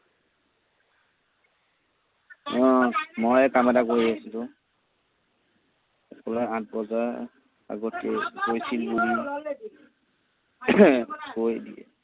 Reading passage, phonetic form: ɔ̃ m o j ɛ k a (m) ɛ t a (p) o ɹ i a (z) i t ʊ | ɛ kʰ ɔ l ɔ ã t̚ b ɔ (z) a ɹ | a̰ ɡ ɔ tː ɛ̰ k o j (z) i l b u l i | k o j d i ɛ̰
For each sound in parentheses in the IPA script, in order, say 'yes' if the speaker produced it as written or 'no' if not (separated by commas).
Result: yes, no, no, yes, no